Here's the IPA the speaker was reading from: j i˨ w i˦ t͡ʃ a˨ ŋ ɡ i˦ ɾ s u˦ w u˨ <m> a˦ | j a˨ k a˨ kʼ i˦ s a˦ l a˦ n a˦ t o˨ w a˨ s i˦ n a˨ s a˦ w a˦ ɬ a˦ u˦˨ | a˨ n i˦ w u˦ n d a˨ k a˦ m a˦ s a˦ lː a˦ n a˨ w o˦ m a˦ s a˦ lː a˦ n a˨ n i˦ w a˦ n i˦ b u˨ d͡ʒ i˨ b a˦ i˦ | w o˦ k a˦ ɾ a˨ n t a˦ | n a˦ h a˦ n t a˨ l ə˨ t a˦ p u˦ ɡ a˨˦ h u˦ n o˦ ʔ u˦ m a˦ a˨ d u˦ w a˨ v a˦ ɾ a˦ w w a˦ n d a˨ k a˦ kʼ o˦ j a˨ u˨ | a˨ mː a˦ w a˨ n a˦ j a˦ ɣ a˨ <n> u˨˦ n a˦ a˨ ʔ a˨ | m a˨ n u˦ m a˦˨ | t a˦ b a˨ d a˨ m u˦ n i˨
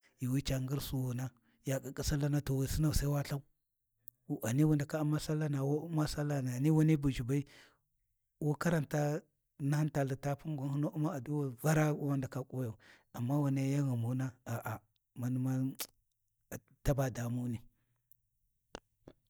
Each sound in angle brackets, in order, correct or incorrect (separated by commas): incorrect, incorrect